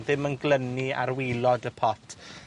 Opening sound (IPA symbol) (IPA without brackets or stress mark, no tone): ð